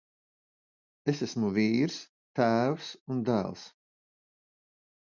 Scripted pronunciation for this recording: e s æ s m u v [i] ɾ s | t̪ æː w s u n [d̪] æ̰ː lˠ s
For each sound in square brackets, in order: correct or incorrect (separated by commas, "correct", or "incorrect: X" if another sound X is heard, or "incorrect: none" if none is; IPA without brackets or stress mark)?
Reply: incorrect: iː, correct